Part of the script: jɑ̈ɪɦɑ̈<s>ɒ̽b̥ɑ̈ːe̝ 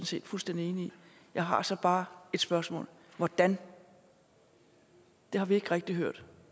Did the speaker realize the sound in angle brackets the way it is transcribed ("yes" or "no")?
yes